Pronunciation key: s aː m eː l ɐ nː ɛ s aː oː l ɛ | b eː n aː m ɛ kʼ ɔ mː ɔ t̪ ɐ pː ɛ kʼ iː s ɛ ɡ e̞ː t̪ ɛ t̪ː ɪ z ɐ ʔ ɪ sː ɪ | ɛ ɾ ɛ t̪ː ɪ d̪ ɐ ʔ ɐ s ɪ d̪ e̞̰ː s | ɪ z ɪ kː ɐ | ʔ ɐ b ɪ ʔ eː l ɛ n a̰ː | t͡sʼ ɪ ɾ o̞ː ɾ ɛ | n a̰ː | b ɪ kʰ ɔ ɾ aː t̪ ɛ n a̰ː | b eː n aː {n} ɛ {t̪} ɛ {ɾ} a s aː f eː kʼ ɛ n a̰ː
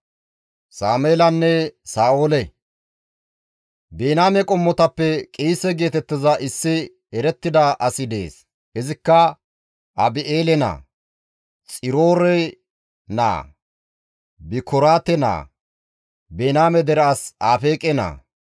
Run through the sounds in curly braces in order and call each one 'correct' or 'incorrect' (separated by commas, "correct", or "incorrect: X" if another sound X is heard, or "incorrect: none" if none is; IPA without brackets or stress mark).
incorrect: m, incorrect: d̪, correct